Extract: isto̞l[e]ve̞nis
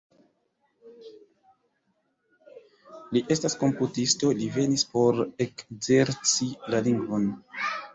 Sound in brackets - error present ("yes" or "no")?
yes